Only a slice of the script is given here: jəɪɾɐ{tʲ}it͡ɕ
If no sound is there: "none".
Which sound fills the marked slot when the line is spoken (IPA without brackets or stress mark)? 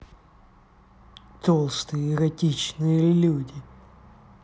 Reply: tʲ